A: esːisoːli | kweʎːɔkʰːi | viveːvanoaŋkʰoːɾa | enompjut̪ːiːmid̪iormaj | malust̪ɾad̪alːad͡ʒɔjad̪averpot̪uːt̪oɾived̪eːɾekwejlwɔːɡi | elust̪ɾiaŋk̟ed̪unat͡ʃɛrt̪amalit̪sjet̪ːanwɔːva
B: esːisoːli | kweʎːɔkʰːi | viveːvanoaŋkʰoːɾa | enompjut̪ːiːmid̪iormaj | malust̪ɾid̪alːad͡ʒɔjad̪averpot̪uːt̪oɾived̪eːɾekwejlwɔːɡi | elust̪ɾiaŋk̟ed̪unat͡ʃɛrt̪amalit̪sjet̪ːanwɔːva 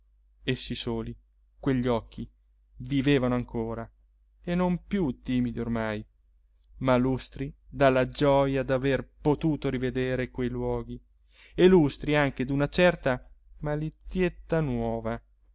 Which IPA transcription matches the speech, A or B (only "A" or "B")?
B